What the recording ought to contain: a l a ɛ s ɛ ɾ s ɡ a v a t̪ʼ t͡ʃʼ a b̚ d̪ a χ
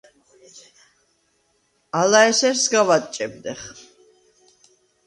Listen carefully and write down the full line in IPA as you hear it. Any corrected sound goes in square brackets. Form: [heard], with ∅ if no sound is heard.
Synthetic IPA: a l a ɛ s ɛ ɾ s ɡ a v a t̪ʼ t͡ʃʼ [ɛ] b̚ d̪ [ɛ] χ